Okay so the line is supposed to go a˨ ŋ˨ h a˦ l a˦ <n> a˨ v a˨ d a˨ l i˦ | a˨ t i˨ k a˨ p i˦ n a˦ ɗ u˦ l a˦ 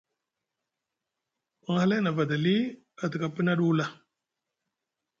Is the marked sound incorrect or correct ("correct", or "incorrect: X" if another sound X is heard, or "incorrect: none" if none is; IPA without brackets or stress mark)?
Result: correct